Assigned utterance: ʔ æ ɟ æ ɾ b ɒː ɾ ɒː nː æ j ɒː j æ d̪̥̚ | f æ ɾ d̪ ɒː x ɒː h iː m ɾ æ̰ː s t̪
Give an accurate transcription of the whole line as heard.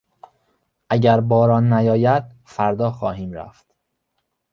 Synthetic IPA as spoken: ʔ æ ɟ æ ɾ b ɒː ɾ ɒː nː æ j ɒː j æ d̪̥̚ | f æ ɾ d̪ ɒː x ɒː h iː m ɾ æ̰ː f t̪